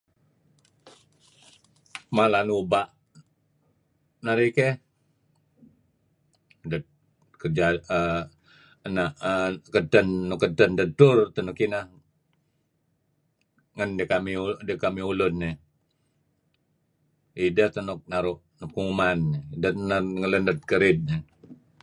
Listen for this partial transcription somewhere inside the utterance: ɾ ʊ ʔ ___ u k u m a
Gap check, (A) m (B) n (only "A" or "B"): B